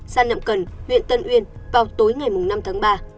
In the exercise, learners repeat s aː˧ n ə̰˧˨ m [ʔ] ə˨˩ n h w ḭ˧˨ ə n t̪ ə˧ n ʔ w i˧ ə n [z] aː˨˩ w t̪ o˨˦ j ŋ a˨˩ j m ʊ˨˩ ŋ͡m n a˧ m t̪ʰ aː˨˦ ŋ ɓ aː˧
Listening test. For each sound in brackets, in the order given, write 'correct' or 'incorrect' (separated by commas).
incorrect, incorrect